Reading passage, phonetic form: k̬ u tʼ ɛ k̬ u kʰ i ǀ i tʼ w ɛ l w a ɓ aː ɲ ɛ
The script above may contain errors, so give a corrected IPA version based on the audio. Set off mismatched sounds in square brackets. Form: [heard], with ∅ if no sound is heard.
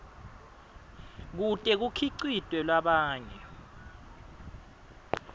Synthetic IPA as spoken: k̬ u tʼ ɛ k̬ u kʰ i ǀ i tʼ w ɛ l w a ɓ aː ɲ ɛ